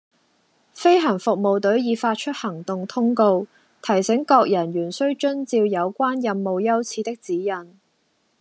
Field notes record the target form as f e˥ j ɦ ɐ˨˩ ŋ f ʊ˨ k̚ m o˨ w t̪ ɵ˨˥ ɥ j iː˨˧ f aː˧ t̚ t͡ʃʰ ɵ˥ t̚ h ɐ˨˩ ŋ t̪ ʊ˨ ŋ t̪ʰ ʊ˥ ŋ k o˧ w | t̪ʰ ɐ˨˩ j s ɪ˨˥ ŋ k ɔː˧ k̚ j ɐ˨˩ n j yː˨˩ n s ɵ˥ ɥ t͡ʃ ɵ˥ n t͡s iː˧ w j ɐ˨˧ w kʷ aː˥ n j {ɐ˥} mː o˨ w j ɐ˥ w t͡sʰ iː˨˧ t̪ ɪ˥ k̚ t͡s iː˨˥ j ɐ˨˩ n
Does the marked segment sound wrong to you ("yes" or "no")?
yes